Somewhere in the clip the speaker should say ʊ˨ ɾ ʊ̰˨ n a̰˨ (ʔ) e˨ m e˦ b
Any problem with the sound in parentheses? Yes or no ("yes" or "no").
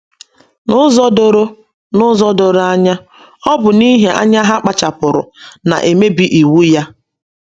no